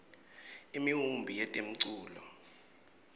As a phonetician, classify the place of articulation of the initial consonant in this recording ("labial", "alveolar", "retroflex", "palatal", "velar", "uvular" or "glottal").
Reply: labial